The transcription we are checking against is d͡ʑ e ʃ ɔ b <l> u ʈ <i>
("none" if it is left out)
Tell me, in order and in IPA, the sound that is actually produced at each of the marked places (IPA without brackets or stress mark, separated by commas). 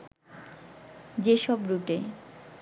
ɾ, e